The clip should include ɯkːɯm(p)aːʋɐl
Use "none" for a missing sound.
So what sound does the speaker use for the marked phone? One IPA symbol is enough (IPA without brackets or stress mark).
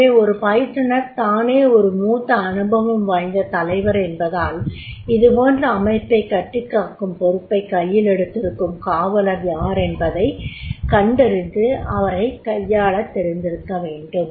k